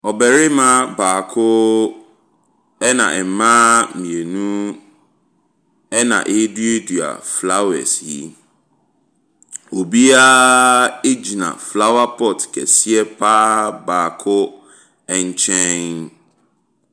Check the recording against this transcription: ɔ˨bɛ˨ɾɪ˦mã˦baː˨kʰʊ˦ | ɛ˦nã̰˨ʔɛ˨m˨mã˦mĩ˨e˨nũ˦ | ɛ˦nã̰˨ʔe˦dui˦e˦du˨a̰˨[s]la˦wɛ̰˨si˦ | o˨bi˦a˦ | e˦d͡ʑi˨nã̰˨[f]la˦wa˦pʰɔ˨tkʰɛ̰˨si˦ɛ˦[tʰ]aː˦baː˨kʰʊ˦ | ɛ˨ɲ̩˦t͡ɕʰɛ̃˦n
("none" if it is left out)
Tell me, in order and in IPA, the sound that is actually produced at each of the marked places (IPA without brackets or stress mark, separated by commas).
f, f, pʰ